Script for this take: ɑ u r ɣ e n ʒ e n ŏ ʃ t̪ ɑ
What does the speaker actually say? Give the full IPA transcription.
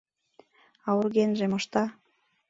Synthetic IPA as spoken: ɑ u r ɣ e n ʒ e m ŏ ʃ t̪ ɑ